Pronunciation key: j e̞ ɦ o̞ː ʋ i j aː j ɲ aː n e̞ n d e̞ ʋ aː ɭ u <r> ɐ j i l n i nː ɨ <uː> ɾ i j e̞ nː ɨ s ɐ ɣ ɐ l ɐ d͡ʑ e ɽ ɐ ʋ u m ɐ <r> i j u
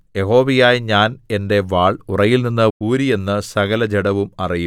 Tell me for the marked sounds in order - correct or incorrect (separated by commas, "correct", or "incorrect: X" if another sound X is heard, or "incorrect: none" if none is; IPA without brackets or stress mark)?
correct, correct, correct